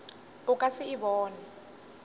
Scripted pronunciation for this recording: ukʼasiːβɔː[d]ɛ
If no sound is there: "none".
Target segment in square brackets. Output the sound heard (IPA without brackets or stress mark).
n